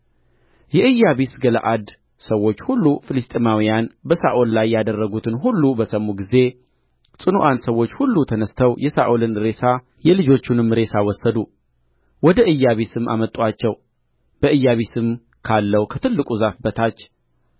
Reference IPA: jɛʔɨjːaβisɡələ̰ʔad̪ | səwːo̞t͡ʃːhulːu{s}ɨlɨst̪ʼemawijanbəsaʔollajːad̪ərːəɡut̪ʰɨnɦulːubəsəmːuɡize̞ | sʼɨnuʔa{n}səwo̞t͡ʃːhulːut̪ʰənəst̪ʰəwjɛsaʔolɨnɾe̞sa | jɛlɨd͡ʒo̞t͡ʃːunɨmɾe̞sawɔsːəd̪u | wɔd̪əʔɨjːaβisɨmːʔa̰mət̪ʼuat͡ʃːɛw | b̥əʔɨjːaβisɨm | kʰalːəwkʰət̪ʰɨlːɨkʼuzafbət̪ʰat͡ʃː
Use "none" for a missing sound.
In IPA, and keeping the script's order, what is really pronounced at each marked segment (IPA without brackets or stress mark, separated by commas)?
f, n